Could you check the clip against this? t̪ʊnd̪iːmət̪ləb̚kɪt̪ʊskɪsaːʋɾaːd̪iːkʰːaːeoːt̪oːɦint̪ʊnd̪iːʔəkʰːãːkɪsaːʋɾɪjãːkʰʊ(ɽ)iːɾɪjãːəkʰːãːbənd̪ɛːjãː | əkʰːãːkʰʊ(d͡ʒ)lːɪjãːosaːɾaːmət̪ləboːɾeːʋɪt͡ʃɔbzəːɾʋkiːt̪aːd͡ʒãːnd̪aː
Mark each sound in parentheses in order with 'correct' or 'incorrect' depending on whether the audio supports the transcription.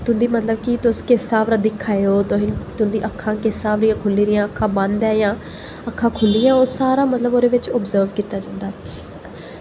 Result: incorrect, incorrect

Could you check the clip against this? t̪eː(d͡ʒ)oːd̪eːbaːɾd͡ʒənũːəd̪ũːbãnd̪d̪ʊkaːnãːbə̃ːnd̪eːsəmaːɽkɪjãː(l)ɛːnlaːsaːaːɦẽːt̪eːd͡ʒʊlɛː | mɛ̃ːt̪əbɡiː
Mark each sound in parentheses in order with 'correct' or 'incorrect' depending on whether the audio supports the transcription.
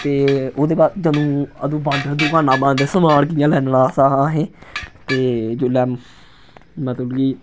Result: incorrect, correct

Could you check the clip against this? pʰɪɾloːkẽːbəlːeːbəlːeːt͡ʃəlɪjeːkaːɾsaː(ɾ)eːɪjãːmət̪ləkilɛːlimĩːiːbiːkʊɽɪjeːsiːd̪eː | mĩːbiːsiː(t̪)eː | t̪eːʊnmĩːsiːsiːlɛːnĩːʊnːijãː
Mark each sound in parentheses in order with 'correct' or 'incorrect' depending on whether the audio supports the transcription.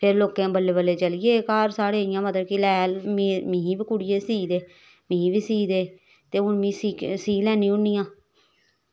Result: incorrect, incorrect

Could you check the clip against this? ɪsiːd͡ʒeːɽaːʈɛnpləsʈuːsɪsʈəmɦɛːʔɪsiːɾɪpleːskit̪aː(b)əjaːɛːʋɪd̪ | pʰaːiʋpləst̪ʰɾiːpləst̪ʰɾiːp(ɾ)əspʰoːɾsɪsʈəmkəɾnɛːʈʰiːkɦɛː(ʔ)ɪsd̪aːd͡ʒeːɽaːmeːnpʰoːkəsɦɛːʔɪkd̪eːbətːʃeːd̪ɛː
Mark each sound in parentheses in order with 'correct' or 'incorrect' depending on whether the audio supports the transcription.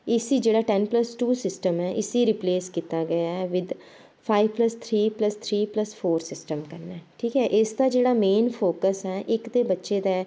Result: incorrect, incorrect, correct

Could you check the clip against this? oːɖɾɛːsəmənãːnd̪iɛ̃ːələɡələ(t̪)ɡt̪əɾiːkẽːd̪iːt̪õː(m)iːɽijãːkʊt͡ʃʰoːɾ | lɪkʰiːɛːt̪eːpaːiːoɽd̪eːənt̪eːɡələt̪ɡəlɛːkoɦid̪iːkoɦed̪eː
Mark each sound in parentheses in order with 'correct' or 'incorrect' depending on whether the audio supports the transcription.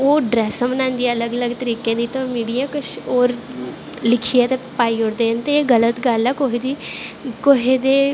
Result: incorrect, correct

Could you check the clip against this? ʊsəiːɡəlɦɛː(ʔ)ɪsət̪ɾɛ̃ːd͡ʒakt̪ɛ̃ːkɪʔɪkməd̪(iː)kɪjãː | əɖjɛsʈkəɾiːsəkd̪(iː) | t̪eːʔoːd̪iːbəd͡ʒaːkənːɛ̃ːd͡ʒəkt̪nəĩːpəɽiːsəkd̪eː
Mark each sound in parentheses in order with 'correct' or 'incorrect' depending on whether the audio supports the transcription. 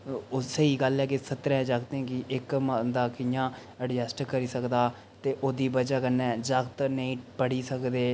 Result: incorrect, incorrect, incorrect

